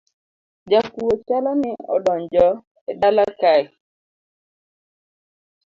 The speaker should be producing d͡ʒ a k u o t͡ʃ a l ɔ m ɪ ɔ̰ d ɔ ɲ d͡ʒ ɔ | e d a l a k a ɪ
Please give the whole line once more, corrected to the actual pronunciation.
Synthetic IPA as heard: d͡ʒ a k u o t͡ʃ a l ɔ n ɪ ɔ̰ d ɔ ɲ d͡ʒ ɔ | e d a l a k a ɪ

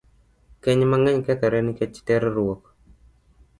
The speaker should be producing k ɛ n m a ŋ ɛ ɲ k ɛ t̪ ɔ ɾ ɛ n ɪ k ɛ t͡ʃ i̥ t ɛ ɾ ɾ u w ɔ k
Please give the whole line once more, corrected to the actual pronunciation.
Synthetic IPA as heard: k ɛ ɲ m a ŋ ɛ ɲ k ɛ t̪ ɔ ɾ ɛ n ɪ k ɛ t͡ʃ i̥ t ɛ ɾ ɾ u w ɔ k

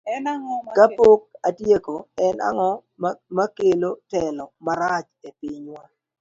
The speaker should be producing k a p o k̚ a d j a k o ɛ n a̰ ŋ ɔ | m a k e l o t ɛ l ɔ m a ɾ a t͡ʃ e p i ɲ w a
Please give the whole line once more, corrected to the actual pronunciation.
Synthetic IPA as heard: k a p o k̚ a d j e k o ɛ n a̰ ŋ ɔ | m a k e l o t ɛ l ɔ m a ɾ a t͡ʃ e p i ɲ w a

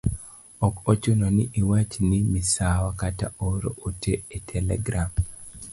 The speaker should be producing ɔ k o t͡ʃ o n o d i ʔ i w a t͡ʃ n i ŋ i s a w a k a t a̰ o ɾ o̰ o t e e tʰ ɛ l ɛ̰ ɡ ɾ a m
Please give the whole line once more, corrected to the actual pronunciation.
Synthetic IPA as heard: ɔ k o t͡ʃ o n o n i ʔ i w a t͡ʃ n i m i s a w a k a t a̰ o ɾ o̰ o t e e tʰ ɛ l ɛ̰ ɡ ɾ a m

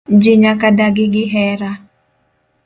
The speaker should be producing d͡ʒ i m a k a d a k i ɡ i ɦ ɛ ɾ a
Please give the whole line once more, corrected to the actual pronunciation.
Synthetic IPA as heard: d͡ʒ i ɲ a k a d a ɡ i ɡ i ɦ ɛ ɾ a

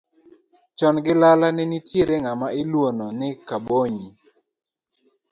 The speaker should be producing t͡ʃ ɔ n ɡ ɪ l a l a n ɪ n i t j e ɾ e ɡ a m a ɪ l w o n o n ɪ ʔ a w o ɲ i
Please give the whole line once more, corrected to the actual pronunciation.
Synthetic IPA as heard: t͡ʃ ɔ n ɡ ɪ l a l a n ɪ n i t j e ɾ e ŋ a m a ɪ l w o n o n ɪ k a b o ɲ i

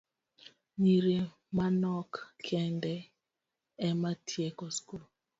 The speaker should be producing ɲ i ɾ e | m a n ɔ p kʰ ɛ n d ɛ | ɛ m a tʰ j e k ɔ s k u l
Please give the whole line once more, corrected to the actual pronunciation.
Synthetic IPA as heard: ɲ i ɾ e | m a n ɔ k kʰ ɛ n d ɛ | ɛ m a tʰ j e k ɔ s k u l

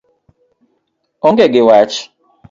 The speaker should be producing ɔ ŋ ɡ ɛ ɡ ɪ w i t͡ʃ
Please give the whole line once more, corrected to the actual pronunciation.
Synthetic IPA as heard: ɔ ŋ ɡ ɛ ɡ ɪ w a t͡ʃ

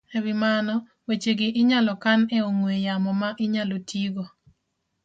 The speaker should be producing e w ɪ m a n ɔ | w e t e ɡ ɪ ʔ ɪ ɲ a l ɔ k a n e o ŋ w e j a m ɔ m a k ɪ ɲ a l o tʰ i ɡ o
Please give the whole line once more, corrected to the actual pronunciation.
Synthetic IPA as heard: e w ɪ m a n ɔ | w e t͡ʃ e ɡ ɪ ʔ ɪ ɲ a l ɔ k a n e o ŋ w e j a m ɔ m a ʔ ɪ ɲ a l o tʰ i ɡ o

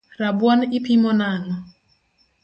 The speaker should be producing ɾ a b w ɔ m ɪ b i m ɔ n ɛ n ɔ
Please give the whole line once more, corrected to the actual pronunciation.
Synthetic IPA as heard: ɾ a b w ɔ n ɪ p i m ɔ n a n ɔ

